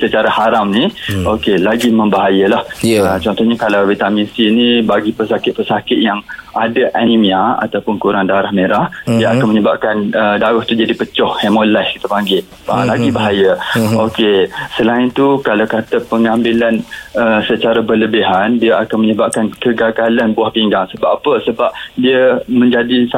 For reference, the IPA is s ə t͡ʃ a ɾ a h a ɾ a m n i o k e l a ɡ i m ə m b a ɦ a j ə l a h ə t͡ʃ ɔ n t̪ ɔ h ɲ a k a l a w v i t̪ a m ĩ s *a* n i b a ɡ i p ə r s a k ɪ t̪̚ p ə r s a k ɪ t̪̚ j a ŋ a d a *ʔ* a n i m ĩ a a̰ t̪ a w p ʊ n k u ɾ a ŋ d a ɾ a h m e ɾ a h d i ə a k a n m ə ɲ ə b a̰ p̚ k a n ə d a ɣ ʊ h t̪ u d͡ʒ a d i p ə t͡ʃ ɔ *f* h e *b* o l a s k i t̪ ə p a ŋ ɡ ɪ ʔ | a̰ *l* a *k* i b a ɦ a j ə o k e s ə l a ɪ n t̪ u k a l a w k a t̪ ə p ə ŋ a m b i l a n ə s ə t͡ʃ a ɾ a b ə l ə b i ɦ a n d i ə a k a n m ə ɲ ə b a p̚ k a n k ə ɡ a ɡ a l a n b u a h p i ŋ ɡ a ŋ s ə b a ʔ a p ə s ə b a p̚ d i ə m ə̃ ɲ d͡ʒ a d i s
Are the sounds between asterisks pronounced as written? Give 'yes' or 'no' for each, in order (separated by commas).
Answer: no, yes, no, no, yes, no